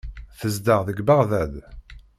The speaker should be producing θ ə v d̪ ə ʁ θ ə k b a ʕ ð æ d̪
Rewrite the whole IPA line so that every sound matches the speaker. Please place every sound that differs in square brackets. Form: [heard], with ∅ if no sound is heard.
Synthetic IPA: θ ə [z] d̪ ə ʁ [ð] ə [ɡ] b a [ʁ] ð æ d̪